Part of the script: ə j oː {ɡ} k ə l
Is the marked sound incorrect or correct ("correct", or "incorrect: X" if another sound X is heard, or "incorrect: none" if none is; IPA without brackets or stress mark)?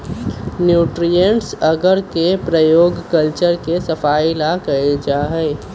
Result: correct